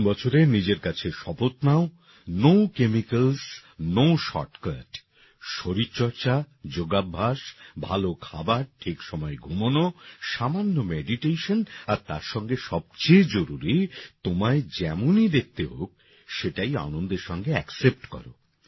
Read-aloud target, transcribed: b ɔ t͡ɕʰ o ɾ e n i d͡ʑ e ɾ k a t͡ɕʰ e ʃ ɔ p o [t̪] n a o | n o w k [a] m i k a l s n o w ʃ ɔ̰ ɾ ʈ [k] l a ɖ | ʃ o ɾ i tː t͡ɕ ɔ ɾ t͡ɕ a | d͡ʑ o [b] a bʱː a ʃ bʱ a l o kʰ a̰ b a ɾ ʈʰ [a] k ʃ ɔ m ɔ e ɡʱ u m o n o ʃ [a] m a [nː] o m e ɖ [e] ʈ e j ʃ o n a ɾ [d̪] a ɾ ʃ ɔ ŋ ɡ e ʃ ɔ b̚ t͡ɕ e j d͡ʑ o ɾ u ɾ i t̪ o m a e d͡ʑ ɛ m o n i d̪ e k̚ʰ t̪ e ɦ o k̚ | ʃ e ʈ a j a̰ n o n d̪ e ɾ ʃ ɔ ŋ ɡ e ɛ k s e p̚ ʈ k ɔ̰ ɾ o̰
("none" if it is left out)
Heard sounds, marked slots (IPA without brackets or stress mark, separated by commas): t̪, e, k, ɡ, i, a, nː, i, t̪